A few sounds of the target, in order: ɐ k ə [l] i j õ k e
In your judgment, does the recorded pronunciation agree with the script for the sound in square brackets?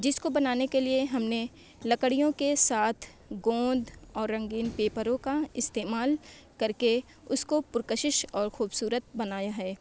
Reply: no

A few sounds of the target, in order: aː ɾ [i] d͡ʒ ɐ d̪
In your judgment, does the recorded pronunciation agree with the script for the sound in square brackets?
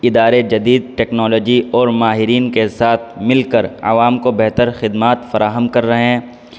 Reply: no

